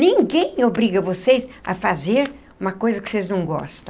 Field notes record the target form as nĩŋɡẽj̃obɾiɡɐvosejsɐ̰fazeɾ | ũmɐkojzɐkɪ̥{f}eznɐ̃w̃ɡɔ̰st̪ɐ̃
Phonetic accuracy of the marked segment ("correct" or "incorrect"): incorrect